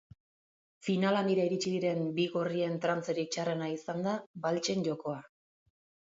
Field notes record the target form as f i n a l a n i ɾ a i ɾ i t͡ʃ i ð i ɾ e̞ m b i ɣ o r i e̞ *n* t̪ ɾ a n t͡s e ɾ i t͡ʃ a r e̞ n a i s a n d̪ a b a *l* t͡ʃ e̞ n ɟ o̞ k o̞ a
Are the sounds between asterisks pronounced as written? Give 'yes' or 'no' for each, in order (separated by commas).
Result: yes, yes